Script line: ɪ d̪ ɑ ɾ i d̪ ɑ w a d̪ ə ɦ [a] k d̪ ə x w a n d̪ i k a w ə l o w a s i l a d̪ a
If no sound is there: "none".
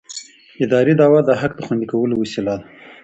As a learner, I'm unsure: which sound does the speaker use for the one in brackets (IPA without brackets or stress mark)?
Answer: a